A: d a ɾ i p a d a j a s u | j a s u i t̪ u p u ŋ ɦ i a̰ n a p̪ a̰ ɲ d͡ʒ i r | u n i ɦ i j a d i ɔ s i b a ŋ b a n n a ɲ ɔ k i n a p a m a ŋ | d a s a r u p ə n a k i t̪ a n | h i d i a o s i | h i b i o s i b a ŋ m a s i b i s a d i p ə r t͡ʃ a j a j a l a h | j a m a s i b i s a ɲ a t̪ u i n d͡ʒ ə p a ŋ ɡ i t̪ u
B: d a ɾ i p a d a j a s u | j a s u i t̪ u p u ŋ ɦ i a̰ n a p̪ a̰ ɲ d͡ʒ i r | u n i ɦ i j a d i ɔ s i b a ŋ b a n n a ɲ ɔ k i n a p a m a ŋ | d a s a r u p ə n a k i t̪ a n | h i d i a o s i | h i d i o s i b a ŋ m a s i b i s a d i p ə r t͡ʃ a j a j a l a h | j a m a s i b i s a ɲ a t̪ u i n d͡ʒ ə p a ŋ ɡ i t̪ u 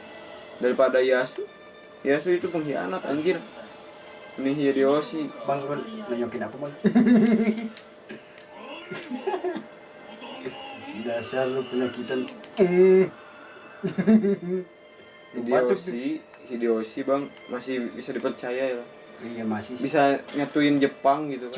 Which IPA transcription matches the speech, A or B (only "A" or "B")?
B